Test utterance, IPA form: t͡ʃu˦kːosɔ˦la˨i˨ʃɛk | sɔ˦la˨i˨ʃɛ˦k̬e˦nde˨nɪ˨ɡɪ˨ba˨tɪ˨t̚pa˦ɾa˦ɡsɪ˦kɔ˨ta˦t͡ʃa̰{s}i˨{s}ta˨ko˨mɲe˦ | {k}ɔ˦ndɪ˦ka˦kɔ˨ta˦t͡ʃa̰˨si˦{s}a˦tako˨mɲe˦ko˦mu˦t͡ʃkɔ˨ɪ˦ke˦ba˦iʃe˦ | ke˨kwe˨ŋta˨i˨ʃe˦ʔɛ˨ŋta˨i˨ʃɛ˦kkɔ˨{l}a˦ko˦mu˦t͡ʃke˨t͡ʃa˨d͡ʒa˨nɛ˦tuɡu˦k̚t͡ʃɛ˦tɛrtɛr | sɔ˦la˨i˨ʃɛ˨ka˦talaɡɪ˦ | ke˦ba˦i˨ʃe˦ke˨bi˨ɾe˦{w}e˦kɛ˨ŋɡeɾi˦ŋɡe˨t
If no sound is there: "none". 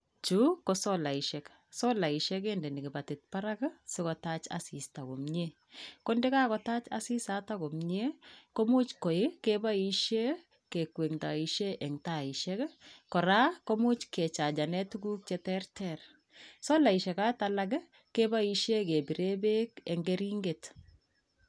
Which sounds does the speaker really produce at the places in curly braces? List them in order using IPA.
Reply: s, s, k, s, ɾ, b

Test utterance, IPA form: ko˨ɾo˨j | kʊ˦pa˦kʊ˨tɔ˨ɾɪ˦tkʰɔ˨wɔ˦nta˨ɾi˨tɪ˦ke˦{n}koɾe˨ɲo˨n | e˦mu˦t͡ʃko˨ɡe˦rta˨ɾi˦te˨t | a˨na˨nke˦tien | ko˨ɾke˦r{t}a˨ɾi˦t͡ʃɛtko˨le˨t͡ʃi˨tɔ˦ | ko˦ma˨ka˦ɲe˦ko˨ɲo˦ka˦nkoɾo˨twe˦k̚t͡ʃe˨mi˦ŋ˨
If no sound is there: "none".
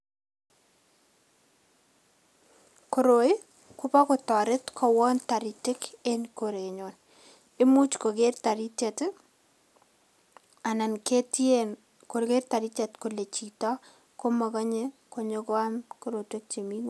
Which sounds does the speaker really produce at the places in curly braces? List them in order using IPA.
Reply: n, t

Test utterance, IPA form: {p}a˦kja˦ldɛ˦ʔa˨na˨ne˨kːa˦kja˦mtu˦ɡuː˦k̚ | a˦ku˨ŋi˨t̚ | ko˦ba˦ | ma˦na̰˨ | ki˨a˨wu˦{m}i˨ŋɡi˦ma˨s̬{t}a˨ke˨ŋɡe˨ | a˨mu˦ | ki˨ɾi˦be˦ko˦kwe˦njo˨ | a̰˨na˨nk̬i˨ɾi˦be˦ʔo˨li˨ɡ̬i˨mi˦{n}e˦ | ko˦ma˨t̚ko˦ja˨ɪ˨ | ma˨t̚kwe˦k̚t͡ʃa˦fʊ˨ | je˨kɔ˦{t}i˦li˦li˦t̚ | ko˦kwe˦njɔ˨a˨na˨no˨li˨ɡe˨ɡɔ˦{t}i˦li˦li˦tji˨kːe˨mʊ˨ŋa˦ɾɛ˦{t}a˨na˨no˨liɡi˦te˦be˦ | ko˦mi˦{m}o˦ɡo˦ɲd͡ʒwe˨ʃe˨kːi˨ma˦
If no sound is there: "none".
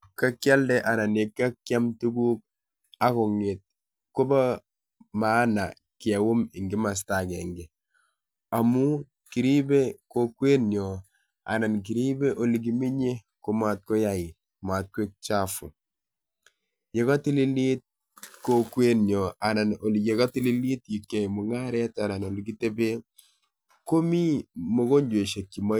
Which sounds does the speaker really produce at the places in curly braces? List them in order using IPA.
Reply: k, m, t, ɲ, t, t, t, m

